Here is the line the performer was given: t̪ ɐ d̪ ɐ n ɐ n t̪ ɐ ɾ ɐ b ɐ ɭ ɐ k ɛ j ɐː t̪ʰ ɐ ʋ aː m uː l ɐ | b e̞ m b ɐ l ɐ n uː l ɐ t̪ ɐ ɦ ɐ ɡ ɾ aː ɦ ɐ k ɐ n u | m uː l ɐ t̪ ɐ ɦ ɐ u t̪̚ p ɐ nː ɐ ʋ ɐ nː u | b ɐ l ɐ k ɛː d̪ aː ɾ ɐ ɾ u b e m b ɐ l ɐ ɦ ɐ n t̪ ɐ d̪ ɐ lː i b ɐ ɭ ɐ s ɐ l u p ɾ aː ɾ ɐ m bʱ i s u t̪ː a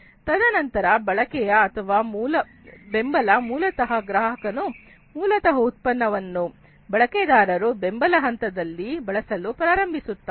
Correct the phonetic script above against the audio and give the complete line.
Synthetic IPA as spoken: t̪ ɐ d̪ ɐ n ɐ n t̪ ɐ ɾ ɐ b ɐ ɭ ɐ k ɛ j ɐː t̪ʰ ɐ ʋ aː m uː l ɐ | b e̞ m b ɐ l ɐ m uː l ɐ t̪ ɐ ɦ ɐ ɡ ɾ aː ɦ ɐ k ɐ n u | m uː l ɐ t̪ ɐ ɦ ɐ u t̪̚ p ɐ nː ɐ ʋ ɐ nː u | b ɐ ɭ ɐ k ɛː d̪ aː ɾ ɐ ɾ u b e m b ɐ l ɐ ɦ ɐ n t̪ ɐ d̪ ɐ lː i b ɐ ɭ ɐ s ɐ l u p ɾ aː ɾ ɐ m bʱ i s u t̪ː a